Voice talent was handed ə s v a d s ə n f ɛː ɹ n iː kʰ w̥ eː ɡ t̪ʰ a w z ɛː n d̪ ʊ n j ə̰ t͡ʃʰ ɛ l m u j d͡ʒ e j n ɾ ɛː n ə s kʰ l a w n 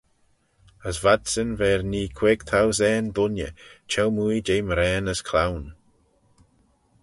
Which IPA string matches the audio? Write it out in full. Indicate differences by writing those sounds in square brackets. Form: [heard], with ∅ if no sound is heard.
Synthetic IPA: ə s v a d s ə n [v] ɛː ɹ n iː kʰ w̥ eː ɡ t̪ʰ a w z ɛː n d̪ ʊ n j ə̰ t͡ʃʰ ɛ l m u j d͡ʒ e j [m] ɾ ɛː n ə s kʰ l a w n